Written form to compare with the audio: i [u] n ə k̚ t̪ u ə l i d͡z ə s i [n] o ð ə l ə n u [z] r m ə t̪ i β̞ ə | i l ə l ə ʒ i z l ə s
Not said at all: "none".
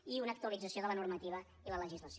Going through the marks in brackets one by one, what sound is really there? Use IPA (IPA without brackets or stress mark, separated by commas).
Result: u, none, none